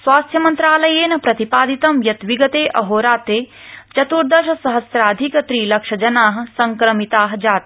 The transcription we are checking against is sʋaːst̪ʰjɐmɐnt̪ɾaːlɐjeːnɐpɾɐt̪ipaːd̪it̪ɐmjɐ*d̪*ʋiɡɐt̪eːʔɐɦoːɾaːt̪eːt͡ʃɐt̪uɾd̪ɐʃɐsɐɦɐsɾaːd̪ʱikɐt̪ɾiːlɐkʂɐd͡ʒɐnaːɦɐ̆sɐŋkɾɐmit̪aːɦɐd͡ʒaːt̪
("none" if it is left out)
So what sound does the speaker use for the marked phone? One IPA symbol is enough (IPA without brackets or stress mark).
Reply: t̪